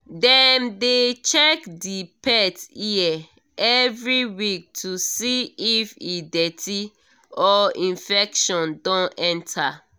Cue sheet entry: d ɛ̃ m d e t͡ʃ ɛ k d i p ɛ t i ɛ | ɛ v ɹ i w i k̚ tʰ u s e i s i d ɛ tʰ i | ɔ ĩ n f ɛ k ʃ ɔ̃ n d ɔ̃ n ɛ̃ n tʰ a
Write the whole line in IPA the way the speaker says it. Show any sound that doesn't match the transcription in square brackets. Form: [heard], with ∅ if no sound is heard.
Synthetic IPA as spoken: d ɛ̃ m d e t͡ʃ ɛ k d i p ɛ t i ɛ | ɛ v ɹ i w i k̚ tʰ u s [i] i [f] i d ɛ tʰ i | ɔ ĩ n f ɛ k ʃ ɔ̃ n d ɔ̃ n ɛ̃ n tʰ a